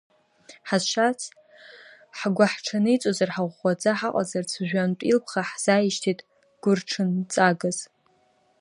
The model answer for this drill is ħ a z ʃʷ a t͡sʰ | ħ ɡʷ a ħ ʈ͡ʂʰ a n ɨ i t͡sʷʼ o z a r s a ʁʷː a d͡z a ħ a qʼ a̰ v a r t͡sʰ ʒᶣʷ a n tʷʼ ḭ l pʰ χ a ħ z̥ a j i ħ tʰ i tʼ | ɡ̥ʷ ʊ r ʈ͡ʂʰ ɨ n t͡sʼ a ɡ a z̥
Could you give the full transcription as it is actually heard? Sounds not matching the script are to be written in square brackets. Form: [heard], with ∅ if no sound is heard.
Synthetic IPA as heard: ħ a z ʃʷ a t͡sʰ | ħ ɡʷ a ħ ʈ͡ʂʰ a n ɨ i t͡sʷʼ o z a r [ħ] a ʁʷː a d͡z a ħ a qʼ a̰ [z] a r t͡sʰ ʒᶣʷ a n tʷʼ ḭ l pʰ χ a ħ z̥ a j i [ʃ] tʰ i tʼ | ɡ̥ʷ ʊ r ʈ͡ʂʰ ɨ n t͡sʼ a ɡ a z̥